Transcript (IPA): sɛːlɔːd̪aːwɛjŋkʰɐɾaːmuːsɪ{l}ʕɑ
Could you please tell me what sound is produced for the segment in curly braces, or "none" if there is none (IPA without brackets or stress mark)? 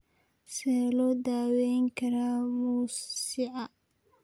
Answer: none